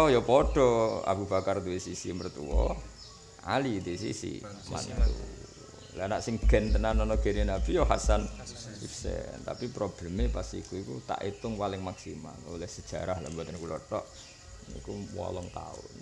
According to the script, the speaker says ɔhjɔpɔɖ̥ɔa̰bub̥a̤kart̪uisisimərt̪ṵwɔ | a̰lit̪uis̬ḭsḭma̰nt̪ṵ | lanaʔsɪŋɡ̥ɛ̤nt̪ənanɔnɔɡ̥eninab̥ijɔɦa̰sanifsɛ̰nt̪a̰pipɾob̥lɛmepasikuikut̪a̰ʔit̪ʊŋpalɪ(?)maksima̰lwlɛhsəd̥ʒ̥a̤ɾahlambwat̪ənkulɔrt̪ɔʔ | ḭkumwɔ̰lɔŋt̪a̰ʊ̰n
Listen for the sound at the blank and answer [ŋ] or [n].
ŋ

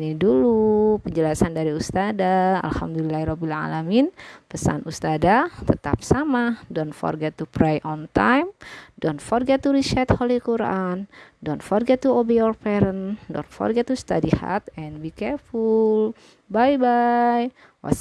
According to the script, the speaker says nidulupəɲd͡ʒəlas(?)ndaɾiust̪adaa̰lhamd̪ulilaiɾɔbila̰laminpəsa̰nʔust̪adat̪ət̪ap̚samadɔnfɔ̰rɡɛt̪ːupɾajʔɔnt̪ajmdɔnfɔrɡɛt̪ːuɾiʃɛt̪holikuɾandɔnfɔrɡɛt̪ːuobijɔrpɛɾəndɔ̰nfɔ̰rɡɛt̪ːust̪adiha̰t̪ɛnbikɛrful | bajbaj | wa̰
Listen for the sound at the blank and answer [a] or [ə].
a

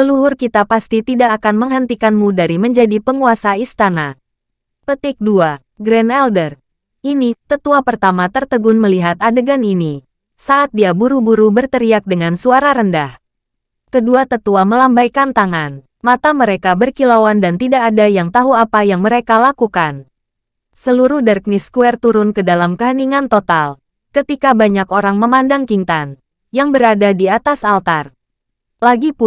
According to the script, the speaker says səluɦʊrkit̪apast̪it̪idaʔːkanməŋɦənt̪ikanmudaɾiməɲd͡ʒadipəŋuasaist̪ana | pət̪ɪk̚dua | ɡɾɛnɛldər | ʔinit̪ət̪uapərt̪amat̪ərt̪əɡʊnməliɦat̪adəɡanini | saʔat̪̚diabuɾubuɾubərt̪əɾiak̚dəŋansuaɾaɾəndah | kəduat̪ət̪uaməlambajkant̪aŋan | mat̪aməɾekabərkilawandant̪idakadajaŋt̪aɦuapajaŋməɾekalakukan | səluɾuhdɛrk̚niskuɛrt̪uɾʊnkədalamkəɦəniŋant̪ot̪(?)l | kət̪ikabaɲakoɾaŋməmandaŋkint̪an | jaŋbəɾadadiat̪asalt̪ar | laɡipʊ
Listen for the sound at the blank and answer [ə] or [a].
a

